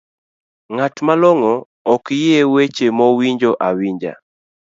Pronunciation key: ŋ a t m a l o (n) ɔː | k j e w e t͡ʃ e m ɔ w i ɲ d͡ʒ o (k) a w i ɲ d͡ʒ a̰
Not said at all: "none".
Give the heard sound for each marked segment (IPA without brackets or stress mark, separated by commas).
ŋ, ʔ